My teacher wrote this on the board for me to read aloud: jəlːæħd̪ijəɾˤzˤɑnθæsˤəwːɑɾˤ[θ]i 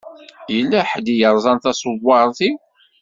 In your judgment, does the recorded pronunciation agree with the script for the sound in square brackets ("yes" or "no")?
yes